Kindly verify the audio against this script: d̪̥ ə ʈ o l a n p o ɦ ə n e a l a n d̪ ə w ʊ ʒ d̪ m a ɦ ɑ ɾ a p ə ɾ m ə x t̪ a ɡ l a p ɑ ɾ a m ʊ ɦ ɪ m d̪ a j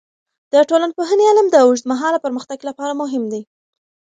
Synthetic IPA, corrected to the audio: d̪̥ ə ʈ o l a n p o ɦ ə n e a l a m d̪ ə w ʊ ʒ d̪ m a ɦ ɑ l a p ə ɾ m ə x t̪ a ɡ l a p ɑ ɾ a m ʊ ɦ ɪ m d̪ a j

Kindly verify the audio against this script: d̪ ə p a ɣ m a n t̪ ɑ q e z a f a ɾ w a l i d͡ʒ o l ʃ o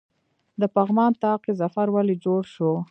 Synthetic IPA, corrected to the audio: d̪ ə p a ɣ m ɑ n t̪ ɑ q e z a f a ɾ w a l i d͡ʒ o ɽ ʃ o

